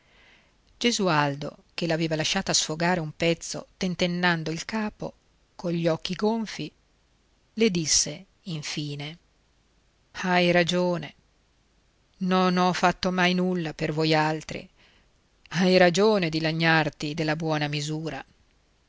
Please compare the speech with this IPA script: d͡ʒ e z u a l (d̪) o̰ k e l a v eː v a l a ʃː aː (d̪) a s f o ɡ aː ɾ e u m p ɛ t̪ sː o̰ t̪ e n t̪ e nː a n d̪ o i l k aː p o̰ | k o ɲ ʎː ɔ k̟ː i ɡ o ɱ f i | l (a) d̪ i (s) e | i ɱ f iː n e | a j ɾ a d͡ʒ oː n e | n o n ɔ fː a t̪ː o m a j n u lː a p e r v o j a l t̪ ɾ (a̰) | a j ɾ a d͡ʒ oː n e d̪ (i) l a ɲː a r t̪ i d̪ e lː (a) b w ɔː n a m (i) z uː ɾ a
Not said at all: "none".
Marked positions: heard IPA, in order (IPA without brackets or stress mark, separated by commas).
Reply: d̪, t̪, e, sː, ḭ, i, a, i